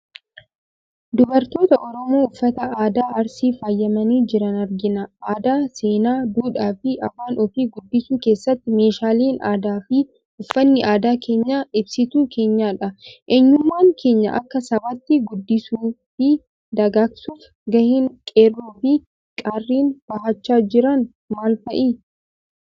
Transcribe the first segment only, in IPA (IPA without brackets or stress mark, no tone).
d̪